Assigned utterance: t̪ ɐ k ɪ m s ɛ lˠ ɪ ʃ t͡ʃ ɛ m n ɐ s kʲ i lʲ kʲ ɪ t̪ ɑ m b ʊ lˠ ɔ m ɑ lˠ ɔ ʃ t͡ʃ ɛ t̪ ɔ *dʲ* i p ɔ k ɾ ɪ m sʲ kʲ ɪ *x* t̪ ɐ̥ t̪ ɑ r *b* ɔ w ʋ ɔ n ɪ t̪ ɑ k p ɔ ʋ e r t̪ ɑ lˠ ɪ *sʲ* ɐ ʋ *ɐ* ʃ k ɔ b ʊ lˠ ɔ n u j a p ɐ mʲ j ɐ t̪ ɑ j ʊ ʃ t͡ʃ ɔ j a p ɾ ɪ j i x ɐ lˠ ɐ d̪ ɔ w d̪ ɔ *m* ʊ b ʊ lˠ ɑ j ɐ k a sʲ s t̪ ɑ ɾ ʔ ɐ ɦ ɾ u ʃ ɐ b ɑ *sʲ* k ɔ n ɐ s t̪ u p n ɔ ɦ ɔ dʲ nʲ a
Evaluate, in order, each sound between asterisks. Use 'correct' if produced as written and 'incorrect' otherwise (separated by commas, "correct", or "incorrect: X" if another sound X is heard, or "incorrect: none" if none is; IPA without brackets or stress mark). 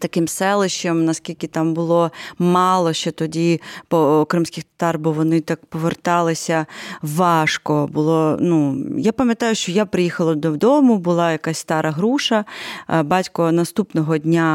correct, correct, correct, correct, incorrect: ɑ, correct, incorrect: tʲ